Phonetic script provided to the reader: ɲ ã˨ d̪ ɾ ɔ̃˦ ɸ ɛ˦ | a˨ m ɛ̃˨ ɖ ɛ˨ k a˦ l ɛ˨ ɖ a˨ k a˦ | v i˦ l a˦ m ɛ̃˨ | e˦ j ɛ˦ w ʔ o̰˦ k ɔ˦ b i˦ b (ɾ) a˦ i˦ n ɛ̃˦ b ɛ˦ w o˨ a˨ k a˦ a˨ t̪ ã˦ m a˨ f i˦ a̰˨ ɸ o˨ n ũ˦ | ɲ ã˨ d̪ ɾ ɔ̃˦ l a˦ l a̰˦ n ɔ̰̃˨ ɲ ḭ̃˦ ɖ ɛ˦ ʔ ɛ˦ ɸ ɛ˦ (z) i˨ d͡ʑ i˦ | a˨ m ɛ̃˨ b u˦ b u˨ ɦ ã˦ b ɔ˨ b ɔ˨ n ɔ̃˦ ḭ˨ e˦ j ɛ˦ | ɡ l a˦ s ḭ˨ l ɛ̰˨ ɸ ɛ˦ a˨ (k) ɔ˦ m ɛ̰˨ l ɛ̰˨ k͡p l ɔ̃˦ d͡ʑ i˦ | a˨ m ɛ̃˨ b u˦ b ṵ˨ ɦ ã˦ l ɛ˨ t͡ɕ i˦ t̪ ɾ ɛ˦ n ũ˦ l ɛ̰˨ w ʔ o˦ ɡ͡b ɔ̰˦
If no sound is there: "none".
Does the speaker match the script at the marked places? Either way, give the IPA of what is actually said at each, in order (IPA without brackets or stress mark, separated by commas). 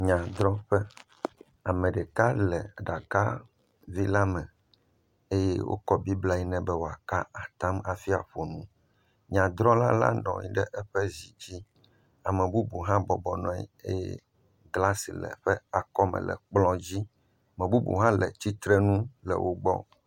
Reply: l, z, k